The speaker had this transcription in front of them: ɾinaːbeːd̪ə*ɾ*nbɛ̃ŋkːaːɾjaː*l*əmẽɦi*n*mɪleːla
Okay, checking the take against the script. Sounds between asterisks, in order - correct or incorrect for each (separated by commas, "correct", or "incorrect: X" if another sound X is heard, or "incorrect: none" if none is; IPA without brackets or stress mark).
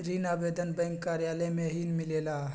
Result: incorrect: none, correct, correct